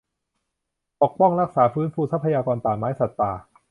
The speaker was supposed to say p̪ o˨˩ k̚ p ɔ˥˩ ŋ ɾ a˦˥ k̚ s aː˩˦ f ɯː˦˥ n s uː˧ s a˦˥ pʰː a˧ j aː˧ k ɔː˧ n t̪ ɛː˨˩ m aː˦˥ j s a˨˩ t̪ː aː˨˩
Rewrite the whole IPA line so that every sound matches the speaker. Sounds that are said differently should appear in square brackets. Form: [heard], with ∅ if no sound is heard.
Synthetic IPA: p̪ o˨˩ k̚ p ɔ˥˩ ŋ ɾ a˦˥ k̚ s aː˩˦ f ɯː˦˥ n [f] uː˧ s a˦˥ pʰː a˧ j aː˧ k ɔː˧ n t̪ [aː˨˩] m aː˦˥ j s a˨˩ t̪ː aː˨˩